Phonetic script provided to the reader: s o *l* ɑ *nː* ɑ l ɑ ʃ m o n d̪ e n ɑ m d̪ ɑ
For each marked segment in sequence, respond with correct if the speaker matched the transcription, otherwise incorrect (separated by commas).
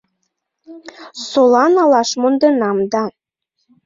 correct, incorrect